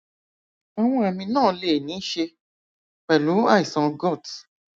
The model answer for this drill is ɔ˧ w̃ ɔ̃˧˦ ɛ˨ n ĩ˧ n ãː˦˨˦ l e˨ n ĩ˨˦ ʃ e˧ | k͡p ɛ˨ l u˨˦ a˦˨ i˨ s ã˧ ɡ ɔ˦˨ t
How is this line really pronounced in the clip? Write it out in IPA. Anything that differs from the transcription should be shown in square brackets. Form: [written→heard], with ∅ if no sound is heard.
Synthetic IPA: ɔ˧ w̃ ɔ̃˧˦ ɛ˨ [n→m] ĩ˧ n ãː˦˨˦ l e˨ n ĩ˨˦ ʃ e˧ | k͡p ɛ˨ l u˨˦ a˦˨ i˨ s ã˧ ɡ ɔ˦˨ t